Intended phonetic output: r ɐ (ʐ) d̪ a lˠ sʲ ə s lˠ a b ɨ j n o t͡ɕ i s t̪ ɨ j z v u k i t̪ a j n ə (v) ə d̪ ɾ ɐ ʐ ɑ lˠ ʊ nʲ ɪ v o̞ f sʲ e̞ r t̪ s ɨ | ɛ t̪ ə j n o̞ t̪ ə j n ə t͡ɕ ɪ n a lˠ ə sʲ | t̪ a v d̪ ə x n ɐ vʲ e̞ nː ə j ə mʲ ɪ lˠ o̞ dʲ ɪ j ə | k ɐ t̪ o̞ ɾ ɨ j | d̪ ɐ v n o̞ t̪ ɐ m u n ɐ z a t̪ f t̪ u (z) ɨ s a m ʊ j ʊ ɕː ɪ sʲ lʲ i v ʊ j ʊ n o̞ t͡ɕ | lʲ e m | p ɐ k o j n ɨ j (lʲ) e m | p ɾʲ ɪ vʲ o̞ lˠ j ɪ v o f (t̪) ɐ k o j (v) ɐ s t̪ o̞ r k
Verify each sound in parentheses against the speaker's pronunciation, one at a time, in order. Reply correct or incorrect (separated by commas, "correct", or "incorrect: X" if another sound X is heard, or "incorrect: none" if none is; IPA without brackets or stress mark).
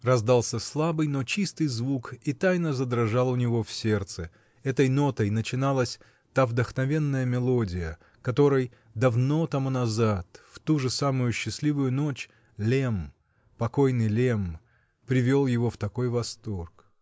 incorrect: z, incorrect: z, incorrect: ʐ, correct, correct, correct